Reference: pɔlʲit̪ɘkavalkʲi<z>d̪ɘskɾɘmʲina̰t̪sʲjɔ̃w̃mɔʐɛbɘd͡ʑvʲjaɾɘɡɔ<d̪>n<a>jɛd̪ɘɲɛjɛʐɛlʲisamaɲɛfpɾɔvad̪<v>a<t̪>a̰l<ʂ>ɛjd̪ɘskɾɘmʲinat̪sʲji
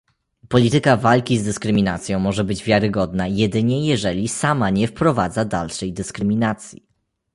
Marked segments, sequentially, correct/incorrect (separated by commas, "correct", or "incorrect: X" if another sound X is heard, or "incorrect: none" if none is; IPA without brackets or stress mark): correct, correct, correct, incorrect: z, incorrect: d̪, correct